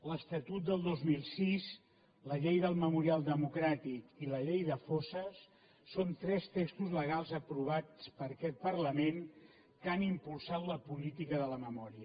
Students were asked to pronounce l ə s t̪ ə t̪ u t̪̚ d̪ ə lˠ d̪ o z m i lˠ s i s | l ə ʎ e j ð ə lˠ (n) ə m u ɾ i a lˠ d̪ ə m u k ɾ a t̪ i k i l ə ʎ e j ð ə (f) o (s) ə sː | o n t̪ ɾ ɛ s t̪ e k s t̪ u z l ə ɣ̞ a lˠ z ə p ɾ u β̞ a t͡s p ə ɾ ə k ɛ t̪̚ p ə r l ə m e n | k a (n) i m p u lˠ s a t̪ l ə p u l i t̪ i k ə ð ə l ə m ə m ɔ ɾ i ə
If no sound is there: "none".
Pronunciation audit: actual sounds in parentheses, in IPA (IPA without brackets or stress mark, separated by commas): m, f, s, n